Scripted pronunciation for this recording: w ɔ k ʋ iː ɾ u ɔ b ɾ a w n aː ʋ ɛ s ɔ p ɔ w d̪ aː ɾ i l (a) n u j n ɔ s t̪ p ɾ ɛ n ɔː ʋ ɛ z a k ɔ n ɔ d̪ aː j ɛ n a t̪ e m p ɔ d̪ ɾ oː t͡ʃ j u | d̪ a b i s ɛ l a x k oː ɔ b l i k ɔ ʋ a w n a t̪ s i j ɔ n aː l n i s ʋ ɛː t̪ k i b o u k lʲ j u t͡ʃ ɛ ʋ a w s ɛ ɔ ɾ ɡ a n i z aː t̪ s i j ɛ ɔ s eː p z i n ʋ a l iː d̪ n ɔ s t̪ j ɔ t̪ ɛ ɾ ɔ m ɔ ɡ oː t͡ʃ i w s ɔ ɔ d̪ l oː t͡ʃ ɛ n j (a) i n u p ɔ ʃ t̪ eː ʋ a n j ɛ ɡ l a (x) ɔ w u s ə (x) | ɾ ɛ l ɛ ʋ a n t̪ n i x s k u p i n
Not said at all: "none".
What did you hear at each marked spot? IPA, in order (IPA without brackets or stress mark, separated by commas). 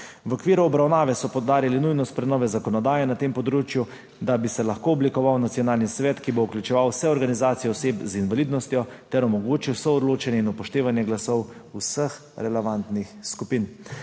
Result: i, ɛ, s, x